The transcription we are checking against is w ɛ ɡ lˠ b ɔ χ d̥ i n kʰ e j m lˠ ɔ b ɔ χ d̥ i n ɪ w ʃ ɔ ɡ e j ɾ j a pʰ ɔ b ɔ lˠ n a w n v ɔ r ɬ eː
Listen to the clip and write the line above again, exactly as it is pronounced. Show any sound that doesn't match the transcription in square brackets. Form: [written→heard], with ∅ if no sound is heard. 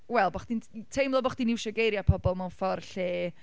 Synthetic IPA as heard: w ɛ [ɡ→∅] lˠ b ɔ χ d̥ i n [kʰ→tʰ] e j m lˠ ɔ b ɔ χ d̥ i n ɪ w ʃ ɔ ɡ e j ɾ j a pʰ ɔ b ɔ lˠ [n→m] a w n [v→f] ɔ r ɬ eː